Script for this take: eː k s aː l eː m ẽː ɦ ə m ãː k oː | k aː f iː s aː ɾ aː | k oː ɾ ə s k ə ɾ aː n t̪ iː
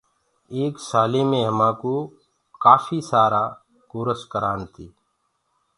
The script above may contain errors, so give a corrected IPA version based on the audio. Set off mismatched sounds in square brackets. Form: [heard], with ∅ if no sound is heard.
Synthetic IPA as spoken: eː k s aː l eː m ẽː ɦ ə m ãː k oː | k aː f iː s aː ɾ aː | k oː ɾ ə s k ə ɾ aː n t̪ iː